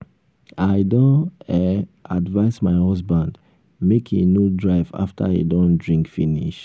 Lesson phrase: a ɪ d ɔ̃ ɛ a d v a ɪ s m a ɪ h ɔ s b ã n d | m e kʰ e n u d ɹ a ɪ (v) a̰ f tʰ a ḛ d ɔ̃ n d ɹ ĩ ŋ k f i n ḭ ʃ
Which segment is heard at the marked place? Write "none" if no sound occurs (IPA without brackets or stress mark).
v